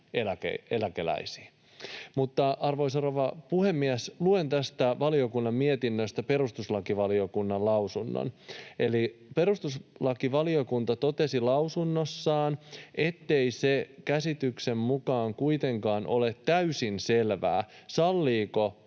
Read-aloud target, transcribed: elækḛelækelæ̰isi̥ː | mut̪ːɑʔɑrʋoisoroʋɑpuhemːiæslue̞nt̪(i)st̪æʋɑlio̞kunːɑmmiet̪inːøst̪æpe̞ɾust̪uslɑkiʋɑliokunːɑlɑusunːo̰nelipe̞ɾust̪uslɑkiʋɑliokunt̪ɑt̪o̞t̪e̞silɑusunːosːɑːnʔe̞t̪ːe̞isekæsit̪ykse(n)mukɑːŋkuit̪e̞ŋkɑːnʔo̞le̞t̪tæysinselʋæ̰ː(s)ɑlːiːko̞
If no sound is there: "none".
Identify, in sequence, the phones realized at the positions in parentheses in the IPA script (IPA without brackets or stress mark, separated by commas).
æ, m, s